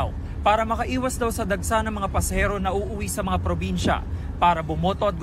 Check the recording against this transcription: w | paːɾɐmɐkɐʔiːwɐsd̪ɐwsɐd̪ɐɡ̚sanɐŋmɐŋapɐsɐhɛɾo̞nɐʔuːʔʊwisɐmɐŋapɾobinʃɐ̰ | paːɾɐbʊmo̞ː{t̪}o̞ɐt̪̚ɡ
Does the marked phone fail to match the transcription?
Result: no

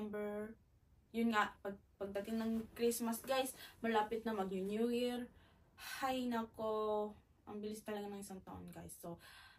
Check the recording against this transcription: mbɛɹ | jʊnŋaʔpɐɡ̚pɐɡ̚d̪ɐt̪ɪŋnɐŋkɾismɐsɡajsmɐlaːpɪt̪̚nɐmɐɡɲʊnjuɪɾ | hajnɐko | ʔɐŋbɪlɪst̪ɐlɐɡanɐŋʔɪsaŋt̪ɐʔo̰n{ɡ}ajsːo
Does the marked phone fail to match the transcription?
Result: no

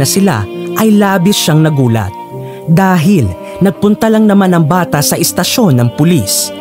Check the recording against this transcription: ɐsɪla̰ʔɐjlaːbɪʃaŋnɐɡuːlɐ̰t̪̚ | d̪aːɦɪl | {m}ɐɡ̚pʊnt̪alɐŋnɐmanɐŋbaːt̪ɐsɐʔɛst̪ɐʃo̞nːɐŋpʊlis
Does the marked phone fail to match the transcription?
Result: yes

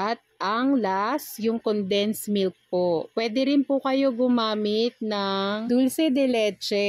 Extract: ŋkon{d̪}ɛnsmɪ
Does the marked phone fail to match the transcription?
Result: no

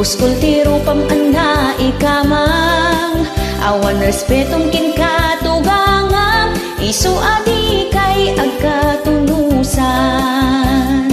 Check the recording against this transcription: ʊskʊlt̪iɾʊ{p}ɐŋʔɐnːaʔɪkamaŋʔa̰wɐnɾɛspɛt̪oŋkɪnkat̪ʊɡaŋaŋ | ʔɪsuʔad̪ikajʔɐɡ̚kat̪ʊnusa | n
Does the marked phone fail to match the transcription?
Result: no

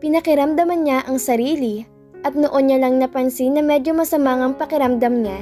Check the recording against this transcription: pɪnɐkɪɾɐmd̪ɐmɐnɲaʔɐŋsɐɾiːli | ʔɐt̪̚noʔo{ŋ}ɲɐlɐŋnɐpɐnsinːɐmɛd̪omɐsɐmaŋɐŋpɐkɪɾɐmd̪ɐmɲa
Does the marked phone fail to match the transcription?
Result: yes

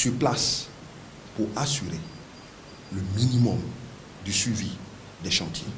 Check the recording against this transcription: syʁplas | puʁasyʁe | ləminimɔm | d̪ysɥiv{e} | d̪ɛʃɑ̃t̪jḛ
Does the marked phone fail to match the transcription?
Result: yes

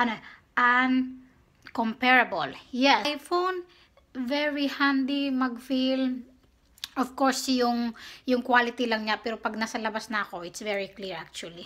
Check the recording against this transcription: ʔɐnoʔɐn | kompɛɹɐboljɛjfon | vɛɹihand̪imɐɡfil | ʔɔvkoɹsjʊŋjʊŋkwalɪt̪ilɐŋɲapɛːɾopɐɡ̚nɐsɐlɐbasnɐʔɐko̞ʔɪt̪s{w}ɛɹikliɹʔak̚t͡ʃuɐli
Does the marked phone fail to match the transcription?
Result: yes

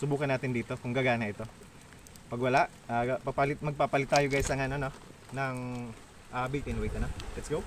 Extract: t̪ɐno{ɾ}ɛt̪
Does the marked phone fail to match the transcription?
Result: yes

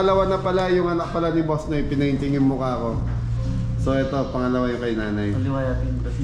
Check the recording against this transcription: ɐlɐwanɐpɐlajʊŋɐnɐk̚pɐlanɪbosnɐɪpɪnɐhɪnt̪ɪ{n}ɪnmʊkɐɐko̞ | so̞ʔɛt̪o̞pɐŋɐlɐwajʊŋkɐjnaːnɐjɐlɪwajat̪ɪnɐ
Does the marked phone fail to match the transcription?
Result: yes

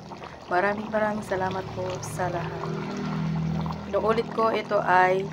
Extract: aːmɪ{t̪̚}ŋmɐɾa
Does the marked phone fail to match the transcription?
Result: yes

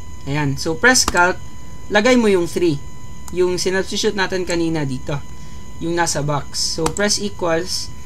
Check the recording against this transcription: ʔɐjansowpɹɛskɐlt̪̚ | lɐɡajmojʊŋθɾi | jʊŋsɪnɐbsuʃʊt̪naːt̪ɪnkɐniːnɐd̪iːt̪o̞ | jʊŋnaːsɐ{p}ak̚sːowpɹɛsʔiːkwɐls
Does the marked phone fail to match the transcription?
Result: yes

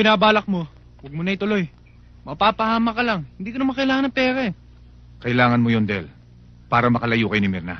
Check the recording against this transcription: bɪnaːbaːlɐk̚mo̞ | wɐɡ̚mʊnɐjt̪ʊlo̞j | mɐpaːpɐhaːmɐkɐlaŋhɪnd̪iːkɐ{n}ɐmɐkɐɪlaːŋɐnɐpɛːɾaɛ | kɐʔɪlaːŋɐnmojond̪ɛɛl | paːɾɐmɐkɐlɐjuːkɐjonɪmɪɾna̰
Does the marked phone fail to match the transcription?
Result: no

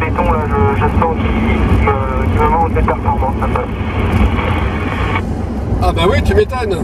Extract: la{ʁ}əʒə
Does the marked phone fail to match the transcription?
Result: yes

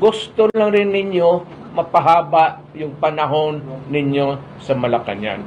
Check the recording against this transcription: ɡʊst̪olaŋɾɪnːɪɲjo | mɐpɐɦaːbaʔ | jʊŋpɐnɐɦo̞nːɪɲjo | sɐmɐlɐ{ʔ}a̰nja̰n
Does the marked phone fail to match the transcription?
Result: yes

